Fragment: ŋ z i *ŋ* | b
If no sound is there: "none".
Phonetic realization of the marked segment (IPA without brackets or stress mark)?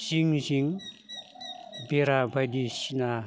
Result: ŋ